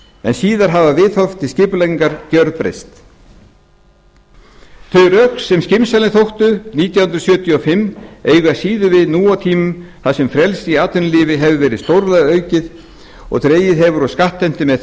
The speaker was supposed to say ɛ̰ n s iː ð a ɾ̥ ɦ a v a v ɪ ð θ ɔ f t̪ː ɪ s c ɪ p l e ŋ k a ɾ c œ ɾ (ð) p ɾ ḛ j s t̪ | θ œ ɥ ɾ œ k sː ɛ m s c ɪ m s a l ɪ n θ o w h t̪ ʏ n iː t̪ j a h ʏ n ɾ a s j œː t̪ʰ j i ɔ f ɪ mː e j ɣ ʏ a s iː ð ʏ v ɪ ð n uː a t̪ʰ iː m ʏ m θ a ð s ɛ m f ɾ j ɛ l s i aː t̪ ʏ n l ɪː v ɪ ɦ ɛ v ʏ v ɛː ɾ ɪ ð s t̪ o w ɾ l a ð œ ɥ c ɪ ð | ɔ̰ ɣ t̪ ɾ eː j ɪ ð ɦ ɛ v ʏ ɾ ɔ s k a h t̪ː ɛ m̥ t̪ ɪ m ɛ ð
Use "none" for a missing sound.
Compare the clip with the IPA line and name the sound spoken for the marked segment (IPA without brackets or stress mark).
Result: ð